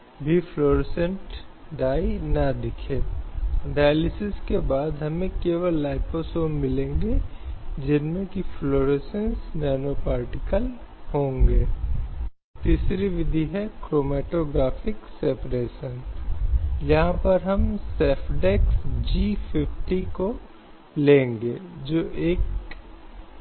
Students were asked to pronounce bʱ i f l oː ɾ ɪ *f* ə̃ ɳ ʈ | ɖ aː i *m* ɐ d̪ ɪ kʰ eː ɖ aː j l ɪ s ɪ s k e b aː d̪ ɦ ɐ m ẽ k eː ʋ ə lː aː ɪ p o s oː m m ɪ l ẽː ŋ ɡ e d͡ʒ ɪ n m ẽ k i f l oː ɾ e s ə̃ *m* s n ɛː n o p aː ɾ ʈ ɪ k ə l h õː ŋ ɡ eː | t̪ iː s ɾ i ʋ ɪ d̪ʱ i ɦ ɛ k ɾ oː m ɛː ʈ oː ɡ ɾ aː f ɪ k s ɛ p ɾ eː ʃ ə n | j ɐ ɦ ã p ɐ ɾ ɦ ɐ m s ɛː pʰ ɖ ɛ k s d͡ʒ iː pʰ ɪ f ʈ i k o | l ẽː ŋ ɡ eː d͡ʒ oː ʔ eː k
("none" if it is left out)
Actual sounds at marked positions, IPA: s, n, n

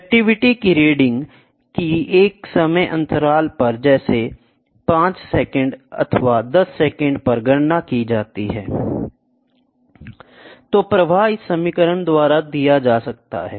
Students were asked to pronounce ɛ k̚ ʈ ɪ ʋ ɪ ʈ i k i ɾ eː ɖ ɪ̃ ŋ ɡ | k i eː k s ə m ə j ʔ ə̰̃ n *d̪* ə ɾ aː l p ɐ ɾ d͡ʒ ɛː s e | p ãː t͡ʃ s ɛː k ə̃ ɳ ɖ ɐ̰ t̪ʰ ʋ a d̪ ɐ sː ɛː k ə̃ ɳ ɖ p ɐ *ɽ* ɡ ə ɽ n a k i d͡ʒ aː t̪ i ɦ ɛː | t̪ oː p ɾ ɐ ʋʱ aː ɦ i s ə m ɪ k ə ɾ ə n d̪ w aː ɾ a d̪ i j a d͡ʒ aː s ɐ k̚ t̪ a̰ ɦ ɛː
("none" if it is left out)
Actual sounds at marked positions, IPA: t̪, ɾ

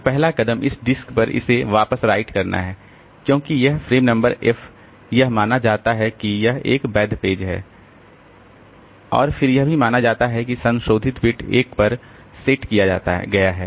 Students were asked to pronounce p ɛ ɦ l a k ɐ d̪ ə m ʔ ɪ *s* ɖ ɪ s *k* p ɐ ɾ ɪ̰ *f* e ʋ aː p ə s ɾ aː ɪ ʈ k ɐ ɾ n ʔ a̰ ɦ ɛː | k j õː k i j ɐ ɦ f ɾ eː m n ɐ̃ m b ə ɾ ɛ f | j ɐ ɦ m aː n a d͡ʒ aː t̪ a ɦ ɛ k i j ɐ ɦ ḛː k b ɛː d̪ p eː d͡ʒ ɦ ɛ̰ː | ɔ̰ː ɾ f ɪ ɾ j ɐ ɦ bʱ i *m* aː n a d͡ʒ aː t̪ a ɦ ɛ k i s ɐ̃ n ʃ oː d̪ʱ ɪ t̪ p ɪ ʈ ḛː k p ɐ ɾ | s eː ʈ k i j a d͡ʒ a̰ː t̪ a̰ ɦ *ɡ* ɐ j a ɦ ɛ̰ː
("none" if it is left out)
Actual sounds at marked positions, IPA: s, k, s, m, ɡ

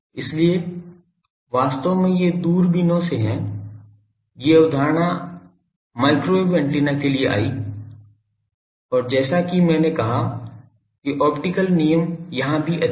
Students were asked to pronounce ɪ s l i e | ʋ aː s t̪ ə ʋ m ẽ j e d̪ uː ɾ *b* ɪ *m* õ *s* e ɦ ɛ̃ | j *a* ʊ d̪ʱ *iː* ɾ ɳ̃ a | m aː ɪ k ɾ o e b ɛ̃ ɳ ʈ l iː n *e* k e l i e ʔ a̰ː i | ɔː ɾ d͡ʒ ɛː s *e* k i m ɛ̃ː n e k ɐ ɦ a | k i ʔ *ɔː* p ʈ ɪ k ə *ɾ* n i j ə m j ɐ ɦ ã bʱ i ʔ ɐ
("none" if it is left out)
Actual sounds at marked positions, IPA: b, n, s, e, aː, a, a, ɔː, l

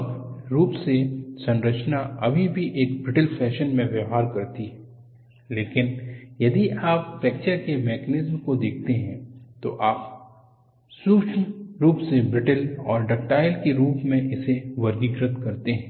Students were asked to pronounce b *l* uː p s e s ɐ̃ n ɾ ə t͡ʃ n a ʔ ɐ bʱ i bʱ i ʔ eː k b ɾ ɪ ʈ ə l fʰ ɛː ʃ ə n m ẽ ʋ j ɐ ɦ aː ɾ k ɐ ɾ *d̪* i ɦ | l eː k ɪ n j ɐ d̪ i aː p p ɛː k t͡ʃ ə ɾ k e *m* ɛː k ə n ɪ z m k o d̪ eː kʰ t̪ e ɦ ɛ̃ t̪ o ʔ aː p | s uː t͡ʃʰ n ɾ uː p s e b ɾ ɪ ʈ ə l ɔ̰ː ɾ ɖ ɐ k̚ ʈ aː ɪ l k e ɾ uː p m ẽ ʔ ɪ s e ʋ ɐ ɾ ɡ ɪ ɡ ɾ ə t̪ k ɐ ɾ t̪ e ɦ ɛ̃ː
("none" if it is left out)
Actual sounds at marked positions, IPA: ɾ, t̪, m

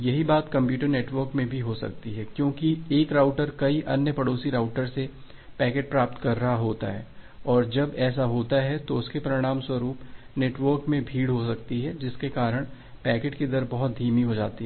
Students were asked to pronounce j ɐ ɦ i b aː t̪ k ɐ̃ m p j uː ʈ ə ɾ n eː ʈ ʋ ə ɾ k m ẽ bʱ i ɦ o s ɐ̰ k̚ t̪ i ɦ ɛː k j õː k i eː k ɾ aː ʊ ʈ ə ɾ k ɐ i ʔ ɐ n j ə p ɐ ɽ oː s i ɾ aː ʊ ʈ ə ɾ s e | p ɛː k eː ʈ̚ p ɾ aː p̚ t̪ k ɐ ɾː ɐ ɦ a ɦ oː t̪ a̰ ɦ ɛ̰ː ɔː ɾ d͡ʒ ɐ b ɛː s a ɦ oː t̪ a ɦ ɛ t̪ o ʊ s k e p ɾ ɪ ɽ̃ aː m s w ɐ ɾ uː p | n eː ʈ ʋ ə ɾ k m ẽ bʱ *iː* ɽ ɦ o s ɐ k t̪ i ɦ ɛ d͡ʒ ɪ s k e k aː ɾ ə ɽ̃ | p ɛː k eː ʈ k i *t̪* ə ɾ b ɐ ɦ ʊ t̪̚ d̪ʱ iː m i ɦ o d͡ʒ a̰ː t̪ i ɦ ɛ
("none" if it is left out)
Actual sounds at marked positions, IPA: iː, d̪

